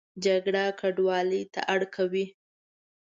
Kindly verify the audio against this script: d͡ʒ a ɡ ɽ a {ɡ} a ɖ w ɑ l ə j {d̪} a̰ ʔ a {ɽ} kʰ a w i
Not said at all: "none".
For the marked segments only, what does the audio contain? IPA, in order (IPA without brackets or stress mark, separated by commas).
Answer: k, t̪, ɽ